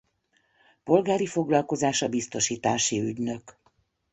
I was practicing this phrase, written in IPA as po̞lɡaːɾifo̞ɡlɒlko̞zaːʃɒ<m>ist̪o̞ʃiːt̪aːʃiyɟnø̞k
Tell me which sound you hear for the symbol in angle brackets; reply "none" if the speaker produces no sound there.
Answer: b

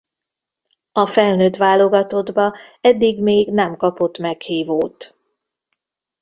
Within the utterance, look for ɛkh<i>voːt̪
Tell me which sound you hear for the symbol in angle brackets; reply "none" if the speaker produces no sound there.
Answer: iː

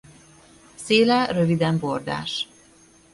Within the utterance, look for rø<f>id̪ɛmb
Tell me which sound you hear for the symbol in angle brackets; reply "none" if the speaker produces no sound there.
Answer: v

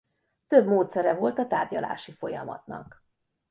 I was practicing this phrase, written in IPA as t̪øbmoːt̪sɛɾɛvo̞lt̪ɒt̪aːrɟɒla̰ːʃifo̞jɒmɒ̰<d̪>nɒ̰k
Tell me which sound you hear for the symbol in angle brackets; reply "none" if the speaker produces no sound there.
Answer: t̪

